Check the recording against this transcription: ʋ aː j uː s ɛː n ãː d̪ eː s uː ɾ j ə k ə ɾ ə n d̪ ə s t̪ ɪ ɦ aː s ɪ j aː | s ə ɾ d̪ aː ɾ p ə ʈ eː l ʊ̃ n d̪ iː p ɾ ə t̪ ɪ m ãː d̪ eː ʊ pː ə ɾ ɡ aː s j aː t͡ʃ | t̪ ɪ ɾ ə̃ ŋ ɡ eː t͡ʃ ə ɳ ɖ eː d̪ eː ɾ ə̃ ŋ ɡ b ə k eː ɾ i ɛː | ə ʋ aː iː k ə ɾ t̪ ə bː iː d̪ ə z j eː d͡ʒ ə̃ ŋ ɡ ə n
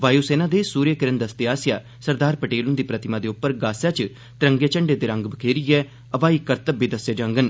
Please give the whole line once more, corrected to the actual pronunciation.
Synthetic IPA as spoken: ʋ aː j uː s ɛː n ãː d̪ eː s uː ɾ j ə k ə ɾ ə n d̪ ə s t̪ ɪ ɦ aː s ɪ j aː | s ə ɾ d̪ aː ɾ p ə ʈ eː l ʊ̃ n d̪ iː p ɾ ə t̪ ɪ m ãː d̪ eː ʊ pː ə ɾ ɡ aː s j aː t͡ʃ | t̪ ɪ ɾ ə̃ ŋ ɡ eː t͡ʃ ə ɳ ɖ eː d̪ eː ɾ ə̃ ŋ ɡ b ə kʰ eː ɾ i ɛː | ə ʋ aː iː k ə ɾ t̪ ə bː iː d̪ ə s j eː d͡ʒ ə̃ ŋ ɡ ə n

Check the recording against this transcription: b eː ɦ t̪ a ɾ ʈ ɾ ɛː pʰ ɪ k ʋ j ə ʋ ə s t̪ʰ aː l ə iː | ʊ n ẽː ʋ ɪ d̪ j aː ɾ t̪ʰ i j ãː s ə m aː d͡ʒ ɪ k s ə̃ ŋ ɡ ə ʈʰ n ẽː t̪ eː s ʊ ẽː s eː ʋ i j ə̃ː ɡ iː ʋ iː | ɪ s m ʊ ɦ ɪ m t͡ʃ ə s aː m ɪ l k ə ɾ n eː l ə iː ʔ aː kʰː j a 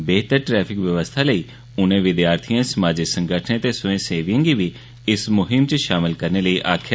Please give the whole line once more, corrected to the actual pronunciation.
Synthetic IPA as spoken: b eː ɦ t̪ ə ɾ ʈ ɾ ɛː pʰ ɪ k ʋ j ə ʋ ə s t̪ʰ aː l ə iː | ʊ n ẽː ʋ ɪ d̪ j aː ɾ t̪ʰ i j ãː s ə m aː d͡ʒ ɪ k s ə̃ ŋ ɡ ə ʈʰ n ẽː t̪ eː s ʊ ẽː s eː ʋ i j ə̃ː ɡ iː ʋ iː | ɪ s m ʊ ɦ ɪ m t͡ʃ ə ʃ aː m ɪ l k ə ɾ n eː l ə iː ʔ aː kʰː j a

